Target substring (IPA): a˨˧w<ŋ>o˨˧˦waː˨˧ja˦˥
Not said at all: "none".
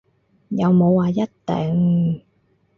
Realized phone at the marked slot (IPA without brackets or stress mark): m